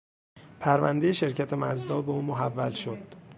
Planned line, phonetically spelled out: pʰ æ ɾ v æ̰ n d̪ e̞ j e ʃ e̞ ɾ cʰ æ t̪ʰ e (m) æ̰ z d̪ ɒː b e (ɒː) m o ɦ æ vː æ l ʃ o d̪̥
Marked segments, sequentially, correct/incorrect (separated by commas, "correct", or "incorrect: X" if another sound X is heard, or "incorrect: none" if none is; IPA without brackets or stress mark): correct, incorrect: uː